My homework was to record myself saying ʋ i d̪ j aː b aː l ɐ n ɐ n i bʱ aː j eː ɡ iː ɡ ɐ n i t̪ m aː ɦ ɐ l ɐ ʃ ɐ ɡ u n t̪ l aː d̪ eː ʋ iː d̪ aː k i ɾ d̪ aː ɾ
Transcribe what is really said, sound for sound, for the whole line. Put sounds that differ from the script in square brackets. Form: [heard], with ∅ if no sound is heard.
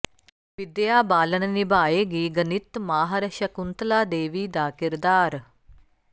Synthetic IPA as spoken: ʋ i d̪ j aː b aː l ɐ n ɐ n i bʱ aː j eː ɡ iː ɡ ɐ n i t̪ m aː ɦ ɐ [ɾ] ɐ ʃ ɐ [k] u n t̪ l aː d̪ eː ʋ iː d̪ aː k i ɾ d̪ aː ɾ